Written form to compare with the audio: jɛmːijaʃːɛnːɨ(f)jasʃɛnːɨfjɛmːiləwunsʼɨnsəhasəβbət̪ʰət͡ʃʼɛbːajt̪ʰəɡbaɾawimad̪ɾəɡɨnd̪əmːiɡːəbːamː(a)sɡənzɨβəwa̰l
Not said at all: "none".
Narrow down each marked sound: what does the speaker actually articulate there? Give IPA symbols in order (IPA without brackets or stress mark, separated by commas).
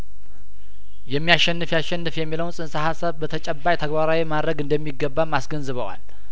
f, a